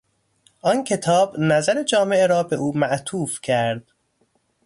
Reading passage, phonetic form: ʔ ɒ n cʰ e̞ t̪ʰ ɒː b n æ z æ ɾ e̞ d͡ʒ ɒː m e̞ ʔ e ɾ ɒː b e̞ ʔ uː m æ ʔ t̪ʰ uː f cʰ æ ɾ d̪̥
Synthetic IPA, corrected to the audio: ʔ ɒ n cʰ e̞ t̪ʰ ɒː b n æ z æ ɾ e̞ d͡ʒ ɒː m e̞ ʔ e ɾ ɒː b e̞ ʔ uː m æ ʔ t̪ʰ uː f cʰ æ ɾ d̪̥

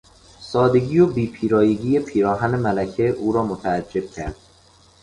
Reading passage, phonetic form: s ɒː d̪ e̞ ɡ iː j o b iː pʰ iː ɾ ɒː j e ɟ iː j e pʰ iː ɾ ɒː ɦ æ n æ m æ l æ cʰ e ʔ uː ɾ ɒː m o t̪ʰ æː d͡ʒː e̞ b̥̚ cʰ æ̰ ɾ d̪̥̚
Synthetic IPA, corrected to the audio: s ɒː d̪ e̞ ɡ iː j o b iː pʰ iː ɾ ɒː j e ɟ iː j e pʰ iː ɾ ɒː ɦ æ n e m æ l æ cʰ e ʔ uː ɾ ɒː m o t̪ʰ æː d͡ʒː e̞ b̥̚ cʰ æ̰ ɾ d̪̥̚

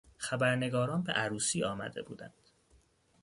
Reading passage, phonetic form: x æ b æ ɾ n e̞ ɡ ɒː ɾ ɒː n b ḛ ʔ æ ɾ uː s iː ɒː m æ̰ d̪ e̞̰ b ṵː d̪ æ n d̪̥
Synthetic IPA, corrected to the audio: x æ b æ ɾ n e̞ ɡ ɒː ɾ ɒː n b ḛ ʔ æ ɾ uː s iː ɒː m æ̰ d̪ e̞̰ b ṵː d̪ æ n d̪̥

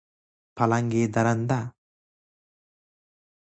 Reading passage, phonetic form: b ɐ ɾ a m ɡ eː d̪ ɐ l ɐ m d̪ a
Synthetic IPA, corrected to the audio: p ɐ l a ŋ ɡ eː d̪ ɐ ɾ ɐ n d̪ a

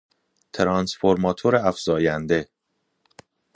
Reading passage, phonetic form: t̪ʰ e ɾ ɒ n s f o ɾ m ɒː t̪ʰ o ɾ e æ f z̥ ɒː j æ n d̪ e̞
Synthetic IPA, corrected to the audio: t̪ʰ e ɾ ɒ n s f o ɾ m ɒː t̪ʰ o ɾ e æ f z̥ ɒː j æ n d̪ e̞

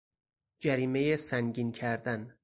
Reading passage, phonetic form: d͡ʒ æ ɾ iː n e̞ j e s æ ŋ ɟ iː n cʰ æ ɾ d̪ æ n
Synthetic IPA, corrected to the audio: d͡ʒ æ ɾ iː m e̞ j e s æ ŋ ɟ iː n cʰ æ ɾ d̪ æ n

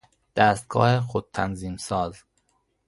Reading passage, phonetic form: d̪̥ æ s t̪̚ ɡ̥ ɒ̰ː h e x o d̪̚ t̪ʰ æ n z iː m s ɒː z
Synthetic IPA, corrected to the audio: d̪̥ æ s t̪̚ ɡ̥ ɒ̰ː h e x o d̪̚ t̪ʰ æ n z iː m s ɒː z

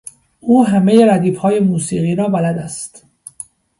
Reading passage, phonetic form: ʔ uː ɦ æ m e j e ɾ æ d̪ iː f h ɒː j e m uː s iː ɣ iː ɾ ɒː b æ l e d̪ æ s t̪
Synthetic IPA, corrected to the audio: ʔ uː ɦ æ m e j e ɾ æ d̪ iː f h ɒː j e m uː s iː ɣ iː ɾ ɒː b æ l æ d̪ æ s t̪

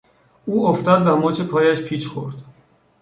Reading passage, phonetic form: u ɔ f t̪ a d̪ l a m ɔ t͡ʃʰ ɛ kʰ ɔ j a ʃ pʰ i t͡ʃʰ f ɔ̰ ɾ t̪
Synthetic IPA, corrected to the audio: u ɔ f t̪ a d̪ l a m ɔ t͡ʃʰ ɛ pʰ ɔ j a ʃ pʰ i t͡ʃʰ χ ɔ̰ ɾ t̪

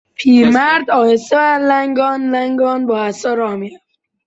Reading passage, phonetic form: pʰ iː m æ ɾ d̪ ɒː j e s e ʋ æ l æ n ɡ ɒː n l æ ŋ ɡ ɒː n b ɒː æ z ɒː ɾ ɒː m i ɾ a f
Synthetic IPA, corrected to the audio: pʰ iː m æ ɾ d̪ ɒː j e s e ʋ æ l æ ŋ ɡ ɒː n l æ ŋ ɡ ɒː n b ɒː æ s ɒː ɾ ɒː m i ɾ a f

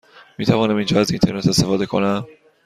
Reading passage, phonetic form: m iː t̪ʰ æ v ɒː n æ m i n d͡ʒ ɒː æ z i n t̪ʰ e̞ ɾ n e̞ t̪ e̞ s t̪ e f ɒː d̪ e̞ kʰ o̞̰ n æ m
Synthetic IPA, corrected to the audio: m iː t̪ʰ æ v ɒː n æ m i n d͡ʒ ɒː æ z i n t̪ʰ e̞ ɾ n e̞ t̪ e̞ s t̪ e f ɒː d̪ e̞ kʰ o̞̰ n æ m

